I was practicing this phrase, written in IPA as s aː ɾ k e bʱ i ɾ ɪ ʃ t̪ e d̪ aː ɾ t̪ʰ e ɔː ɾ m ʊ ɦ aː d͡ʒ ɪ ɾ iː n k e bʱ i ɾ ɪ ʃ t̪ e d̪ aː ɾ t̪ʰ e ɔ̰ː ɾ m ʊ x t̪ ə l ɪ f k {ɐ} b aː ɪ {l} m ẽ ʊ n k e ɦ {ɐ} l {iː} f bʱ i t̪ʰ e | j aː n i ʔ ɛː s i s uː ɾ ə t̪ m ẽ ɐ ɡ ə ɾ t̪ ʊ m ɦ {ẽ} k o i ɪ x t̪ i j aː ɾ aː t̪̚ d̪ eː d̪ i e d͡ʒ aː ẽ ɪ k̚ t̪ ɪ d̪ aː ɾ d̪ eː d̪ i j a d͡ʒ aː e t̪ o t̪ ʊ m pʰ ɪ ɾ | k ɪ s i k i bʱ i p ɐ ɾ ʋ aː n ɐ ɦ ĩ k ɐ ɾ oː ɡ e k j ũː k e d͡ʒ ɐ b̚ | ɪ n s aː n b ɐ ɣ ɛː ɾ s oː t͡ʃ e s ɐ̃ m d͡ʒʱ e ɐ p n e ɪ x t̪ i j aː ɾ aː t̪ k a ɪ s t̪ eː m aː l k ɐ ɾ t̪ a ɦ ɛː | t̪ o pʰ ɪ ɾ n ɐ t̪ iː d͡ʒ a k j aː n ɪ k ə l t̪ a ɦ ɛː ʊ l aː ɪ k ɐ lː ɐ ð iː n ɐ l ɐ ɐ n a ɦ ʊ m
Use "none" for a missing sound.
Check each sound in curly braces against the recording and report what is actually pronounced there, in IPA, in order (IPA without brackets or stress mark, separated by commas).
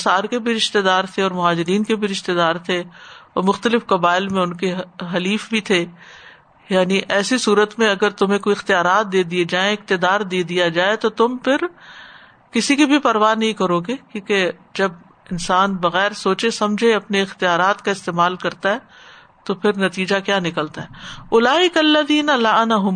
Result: ɐ, l, ɐ, iː, ẽ